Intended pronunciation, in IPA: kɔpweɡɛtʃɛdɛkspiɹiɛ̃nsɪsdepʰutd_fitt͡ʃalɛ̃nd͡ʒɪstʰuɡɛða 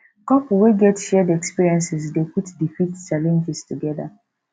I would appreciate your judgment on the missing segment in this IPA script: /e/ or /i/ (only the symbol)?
i